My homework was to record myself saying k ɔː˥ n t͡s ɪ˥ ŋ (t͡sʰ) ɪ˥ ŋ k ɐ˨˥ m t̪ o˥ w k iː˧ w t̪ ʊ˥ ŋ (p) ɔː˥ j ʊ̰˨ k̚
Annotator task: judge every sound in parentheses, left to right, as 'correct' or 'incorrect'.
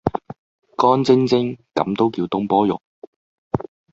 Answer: incorrect: t͡s, correct

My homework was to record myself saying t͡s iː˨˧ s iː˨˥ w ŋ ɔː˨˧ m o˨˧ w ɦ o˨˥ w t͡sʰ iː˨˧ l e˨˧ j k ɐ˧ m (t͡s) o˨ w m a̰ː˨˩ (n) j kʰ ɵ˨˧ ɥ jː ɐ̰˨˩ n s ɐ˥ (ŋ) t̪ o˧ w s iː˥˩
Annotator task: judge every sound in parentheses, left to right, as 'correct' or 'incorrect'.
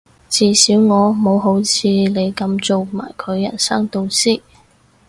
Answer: correct, incorrect: none, correct

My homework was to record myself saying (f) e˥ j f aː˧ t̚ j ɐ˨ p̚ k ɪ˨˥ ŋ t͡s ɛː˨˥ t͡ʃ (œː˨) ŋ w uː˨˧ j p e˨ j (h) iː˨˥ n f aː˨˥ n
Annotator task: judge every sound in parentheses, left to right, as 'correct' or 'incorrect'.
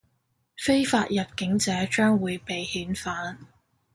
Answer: correct, incorrect: œː˥, correct

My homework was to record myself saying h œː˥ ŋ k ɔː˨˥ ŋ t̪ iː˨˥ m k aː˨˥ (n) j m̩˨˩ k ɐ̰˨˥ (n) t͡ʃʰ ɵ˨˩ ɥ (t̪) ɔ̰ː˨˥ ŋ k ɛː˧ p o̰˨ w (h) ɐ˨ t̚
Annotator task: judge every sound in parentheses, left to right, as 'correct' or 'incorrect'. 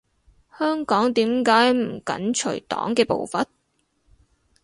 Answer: incorrect: none, correct, correct, incorrect: f

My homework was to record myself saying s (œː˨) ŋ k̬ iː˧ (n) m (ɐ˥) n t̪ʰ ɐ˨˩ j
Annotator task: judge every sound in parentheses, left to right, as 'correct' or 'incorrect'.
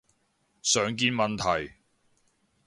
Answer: correct, correct, incorrect: ɐ˨

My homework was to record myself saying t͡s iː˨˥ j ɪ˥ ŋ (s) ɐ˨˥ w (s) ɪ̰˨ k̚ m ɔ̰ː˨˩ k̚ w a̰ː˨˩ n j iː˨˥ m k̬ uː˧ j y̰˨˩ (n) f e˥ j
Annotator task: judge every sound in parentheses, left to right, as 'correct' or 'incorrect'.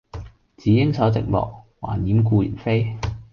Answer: correct, incorrect: t͡s, correct

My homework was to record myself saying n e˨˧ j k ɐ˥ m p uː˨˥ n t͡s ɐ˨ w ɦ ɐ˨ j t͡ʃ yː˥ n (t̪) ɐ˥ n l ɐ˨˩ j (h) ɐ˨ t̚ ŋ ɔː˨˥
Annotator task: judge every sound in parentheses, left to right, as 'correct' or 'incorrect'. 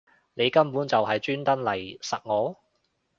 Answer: correct, incorrect: s

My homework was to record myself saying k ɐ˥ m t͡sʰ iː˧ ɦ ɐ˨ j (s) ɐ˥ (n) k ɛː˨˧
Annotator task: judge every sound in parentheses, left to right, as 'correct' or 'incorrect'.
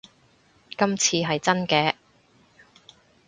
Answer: incorrect: t͡s, correct

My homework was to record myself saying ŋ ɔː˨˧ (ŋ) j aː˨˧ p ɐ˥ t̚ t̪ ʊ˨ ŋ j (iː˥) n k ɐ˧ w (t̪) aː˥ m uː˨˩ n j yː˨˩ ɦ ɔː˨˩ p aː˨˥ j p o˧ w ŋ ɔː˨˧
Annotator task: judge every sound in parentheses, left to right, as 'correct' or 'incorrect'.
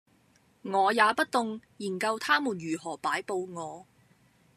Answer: incorrect: none, incorrect: iː˨˩, incorrect: t̪ʰ

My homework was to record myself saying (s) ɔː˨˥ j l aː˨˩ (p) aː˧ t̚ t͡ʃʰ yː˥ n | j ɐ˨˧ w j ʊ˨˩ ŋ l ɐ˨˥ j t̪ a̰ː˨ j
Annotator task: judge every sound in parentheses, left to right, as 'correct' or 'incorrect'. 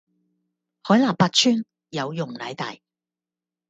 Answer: incorrect: h, correct

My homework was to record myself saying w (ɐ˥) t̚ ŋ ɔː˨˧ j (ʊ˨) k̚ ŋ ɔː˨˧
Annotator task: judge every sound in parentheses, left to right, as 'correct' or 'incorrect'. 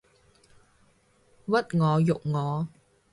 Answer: correct, correct

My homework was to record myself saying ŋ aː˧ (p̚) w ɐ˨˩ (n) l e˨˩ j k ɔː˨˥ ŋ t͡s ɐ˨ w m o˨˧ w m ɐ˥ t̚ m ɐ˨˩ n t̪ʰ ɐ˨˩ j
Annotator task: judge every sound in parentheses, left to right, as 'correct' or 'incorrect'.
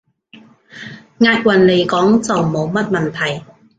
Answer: incorrect: t̚, correct

